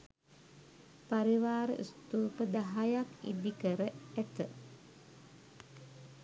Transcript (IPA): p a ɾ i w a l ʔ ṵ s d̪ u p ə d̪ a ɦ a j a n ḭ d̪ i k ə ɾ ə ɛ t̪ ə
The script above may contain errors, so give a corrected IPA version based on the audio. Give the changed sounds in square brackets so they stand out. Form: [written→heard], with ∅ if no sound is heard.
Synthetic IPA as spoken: p a ɾ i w a [l→ɾ] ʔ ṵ s [d̪→t̪] u p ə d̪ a ɦ a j a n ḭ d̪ i k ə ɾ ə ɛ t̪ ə